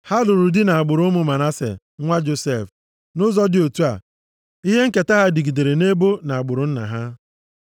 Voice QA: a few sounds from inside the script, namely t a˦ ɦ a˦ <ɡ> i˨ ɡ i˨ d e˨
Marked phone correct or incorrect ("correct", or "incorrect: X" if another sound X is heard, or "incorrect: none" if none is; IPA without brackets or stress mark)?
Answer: incorrect: d